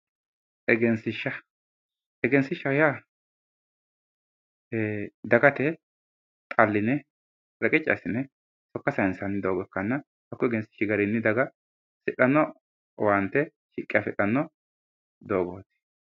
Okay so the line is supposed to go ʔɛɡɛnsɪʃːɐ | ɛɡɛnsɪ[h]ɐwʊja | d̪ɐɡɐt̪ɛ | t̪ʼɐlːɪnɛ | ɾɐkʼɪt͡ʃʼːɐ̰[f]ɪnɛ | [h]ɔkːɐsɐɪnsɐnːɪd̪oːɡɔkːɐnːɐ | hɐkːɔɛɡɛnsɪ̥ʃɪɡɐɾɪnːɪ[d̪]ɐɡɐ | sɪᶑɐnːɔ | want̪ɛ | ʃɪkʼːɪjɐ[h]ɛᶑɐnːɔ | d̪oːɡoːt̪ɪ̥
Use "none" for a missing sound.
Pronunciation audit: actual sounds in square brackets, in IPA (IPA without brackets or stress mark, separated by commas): ʃ, s, s, d̪, f